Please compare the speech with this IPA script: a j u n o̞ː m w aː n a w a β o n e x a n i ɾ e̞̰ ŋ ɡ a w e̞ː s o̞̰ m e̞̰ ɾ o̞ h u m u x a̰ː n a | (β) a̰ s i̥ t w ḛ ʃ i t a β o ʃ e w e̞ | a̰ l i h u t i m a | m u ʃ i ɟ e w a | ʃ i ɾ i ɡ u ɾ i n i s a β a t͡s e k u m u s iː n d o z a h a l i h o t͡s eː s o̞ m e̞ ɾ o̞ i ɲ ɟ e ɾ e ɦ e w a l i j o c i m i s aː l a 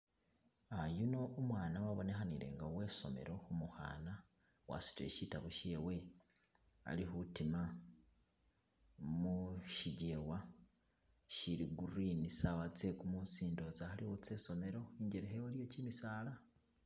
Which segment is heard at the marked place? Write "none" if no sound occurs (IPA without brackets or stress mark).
w